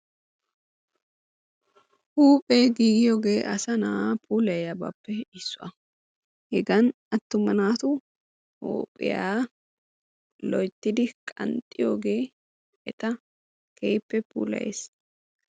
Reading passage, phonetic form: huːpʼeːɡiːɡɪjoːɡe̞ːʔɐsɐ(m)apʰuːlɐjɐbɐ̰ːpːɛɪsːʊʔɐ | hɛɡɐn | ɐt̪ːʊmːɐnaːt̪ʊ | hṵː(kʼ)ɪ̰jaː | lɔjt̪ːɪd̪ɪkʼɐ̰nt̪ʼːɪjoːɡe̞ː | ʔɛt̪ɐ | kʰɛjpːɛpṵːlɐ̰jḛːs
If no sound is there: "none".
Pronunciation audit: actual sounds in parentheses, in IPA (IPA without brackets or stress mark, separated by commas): n, pʼ